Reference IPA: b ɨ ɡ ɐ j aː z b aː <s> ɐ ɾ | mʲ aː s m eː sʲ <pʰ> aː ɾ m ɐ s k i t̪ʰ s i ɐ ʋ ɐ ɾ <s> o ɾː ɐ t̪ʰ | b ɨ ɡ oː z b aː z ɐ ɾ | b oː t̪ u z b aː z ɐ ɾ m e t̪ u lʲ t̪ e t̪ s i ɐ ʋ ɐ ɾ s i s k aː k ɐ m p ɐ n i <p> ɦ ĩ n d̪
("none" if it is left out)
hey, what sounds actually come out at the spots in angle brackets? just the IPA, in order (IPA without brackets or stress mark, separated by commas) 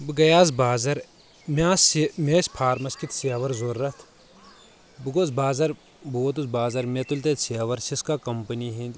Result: z, pʰ, z, none